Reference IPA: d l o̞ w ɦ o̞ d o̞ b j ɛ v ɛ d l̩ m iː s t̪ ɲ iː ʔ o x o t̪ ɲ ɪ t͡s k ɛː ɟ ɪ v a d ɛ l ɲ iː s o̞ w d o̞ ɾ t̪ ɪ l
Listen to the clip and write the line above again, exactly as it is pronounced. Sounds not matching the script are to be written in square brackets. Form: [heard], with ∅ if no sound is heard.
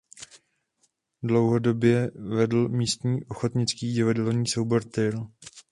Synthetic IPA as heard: d l o̞ w ɦ o̞ d o̞ b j ɛ v ɛ d l̩ m iː s t̪ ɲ iː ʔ o x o t̪ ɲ ɪ t͡s k [iː] ɟ ɪ v a d ɛ l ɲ iː s o̞ w [b] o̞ ɾ t̪ ɪ l